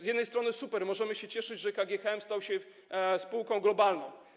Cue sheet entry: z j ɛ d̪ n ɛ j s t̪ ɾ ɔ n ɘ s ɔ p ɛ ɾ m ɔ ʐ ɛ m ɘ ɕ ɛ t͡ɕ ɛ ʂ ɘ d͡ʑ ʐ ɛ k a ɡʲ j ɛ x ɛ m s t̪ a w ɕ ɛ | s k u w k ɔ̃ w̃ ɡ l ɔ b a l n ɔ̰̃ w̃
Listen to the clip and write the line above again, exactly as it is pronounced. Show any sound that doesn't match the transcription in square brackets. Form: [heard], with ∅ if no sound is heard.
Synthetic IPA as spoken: z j ɛ d̪ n ɛ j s t̪ ɾ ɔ n ɘ s [u] p ɛ ɾ m ɔ ʐ ɛ m ɘ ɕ ɛ t͡ɕ ɛ ʂ ɘ d͡ʑ ʐ ɛ k a ɡʲ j ɛ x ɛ m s t̪ a w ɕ ɛ | s [p] u w k ɔ̃ w̃ ɡ l ɔ b a l n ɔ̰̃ w̃